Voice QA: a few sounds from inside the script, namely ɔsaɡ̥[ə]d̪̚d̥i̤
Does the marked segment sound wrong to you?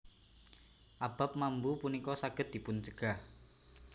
no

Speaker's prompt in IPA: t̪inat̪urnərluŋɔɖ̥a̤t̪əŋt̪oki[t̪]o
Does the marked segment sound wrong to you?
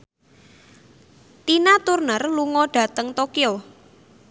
yes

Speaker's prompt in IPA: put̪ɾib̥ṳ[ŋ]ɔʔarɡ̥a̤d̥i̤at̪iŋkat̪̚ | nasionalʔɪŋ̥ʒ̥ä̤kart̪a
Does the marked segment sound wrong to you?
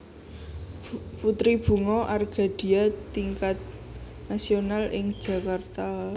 no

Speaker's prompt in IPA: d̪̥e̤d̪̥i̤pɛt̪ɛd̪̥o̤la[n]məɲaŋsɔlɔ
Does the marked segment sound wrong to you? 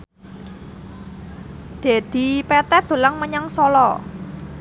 yes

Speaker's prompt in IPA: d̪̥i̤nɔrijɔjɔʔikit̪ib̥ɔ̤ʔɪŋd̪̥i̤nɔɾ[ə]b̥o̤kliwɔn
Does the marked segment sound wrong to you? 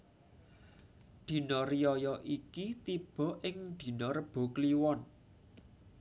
no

